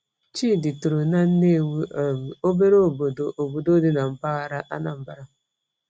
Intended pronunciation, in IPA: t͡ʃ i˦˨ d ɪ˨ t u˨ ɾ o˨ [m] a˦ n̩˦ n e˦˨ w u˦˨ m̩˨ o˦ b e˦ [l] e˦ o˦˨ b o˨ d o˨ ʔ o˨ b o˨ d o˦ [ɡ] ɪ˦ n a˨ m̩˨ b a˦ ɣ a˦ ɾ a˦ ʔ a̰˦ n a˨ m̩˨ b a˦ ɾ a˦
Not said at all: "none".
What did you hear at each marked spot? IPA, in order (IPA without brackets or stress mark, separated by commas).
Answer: n, ɾ, d